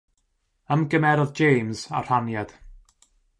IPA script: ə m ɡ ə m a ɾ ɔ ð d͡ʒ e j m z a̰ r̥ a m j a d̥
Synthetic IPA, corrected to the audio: ə m ɡ ə m ɛ ɾ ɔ ð d͡ʒ e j m z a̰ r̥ a n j a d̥